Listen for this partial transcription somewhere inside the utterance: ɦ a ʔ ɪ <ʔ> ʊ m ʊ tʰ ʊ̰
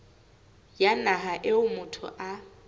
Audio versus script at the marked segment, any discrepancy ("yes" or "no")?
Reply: yes